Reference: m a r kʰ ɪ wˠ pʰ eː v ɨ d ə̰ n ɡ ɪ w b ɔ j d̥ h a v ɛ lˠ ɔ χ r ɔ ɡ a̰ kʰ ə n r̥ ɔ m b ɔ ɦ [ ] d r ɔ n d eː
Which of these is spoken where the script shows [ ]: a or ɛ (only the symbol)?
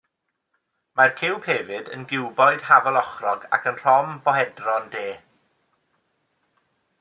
ɛ